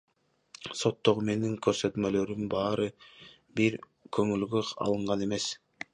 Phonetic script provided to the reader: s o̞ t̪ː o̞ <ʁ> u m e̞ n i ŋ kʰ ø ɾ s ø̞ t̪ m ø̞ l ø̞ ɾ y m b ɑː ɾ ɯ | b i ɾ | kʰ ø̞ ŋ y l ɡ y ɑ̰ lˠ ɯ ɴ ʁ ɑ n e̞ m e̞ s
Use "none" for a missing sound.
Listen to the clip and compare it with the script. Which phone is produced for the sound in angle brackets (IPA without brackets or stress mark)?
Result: ʁ